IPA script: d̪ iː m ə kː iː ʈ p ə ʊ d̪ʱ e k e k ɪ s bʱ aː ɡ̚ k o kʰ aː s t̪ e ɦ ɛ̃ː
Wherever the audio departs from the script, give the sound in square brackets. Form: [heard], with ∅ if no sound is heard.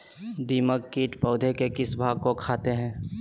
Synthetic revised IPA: d̪ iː m ə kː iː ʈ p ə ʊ d̪ʱ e k e k ɪ s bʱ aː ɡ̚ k o kʰ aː [∅] t̪ e ɦ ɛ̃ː